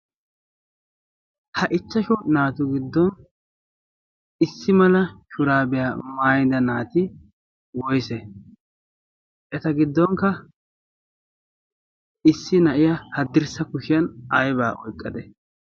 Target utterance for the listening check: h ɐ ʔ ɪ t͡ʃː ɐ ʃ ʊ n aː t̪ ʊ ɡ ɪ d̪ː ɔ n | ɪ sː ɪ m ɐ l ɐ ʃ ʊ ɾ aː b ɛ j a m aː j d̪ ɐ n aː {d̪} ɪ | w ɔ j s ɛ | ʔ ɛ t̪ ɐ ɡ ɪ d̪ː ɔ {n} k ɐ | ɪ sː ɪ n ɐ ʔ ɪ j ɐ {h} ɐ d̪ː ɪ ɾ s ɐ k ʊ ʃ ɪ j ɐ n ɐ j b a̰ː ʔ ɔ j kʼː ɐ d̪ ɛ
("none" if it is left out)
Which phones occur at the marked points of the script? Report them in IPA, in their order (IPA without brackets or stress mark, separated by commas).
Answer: t̪, ŋ, h